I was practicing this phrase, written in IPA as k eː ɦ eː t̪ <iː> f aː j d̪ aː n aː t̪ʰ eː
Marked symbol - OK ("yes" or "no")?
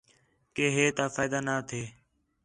no